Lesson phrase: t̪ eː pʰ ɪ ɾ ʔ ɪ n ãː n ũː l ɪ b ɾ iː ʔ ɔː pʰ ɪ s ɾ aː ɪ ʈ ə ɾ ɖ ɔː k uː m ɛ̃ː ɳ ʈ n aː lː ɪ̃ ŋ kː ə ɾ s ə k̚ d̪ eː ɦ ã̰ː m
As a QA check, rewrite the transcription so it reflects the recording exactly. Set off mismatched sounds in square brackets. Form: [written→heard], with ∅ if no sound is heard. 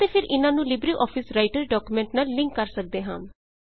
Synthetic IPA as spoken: t̪ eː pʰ ɪ ɾ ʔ ɪ n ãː n ũː l ɪ b ɾ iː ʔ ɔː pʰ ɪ s ɾ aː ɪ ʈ ə ɾ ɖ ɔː k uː m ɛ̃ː ɳ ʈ n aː lː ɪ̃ ŋ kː ə ɾ s ə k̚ d̪ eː ɦ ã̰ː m